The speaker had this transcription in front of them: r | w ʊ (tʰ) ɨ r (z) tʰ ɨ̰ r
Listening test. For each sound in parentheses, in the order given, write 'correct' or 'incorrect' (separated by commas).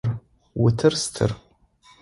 correct, incorrect